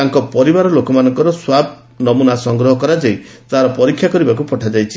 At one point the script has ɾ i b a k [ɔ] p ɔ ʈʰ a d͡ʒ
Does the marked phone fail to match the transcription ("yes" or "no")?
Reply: yes